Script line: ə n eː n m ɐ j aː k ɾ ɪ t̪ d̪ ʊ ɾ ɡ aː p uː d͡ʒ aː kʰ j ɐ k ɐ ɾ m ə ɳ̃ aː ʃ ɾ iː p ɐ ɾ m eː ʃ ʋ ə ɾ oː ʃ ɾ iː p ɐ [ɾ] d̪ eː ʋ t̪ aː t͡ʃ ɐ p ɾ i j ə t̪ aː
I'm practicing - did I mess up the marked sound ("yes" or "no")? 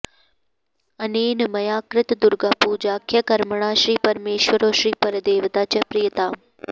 no